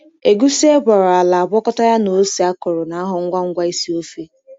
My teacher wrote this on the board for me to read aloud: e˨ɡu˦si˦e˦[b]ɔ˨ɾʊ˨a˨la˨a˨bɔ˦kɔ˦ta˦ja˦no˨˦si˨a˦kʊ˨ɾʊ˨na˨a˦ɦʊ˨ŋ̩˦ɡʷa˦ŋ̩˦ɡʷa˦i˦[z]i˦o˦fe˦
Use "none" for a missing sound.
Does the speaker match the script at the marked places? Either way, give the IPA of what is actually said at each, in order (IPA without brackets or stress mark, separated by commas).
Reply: b, s